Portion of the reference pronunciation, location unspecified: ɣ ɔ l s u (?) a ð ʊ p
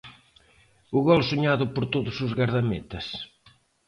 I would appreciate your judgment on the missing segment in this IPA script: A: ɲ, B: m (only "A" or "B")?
A